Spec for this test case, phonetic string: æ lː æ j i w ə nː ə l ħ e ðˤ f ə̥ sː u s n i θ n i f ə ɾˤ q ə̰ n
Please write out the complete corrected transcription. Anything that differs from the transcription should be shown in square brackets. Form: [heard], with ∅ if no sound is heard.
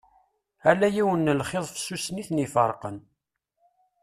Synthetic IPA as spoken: æ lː æ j i w ə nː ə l [χ] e ðˤ f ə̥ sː u s n i θ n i f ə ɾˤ q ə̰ n